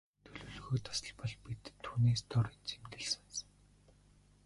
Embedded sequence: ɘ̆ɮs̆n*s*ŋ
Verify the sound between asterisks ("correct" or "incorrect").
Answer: correct